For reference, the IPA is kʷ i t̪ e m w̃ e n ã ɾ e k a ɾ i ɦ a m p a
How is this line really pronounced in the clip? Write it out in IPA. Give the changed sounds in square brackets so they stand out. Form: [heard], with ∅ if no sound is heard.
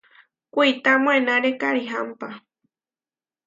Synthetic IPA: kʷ i t̪ [a] m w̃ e n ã ɾ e k a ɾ i ɦ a m p a